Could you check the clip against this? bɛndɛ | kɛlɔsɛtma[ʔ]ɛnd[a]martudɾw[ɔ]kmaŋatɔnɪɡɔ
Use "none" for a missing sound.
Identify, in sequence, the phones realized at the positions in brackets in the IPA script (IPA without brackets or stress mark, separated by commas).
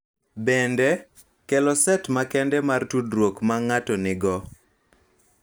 k, ɛ, o